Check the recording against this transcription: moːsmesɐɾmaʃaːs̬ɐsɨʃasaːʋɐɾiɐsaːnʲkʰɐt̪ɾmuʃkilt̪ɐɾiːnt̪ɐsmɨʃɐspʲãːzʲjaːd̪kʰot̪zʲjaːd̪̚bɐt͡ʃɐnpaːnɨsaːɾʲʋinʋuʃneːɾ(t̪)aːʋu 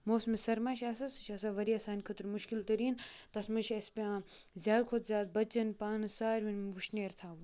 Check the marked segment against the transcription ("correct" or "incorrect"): incorrect